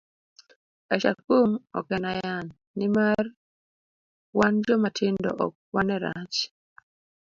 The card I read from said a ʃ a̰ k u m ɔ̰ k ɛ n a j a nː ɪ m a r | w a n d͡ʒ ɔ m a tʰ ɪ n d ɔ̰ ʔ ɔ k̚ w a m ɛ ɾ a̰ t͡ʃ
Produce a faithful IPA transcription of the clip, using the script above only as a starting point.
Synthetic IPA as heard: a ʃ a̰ k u m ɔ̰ k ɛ n a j a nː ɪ m a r | w a n d͡ʒ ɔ m a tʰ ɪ n d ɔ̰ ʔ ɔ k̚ w a n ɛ ɾ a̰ t͡ʃ